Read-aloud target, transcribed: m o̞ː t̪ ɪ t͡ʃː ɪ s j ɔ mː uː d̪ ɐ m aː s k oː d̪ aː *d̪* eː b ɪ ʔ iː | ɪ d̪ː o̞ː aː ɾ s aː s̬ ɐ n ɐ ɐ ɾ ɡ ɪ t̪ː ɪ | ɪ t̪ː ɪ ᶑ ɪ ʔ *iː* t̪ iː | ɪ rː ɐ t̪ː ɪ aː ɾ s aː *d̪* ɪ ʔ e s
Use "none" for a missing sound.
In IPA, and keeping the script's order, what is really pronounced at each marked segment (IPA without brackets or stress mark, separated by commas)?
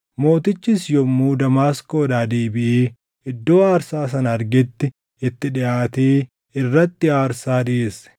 d̪, aː, d̪